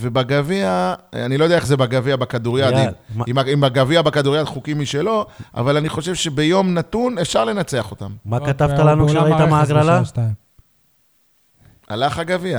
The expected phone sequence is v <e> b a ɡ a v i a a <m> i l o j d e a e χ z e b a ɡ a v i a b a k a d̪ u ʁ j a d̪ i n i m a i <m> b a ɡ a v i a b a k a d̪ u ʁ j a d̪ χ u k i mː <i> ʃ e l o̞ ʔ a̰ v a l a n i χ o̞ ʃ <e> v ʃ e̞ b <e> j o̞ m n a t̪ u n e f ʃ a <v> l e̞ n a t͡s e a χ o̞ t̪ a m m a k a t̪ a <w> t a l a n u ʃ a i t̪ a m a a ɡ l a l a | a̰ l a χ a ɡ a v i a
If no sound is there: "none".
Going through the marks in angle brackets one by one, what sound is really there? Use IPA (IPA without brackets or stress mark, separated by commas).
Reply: e, n, m, i, e, e, ʁ, v